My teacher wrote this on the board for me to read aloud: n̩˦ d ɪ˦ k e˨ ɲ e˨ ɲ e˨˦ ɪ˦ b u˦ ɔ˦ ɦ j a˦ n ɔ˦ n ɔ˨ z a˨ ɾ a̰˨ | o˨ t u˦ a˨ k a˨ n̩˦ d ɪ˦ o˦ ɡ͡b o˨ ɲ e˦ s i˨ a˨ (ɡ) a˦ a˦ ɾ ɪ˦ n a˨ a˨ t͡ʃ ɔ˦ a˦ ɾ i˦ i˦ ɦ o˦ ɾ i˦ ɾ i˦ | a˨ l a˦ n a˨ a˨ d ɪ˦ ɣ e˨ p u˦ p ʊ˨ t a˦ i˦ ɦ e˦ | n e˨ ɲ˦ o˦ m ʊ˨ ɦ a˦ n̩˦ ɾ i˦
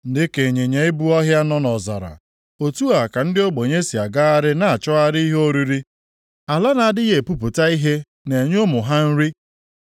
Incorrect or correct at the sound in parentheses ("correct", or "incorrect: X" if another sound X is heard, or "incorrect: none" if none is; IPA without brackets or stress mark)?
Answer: correct